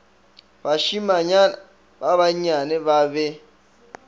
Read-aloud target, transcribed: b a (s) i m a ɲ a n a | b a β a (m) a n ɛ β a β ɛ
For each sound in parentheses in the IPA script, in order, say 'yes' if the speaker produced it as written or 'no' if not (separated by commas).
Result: no, no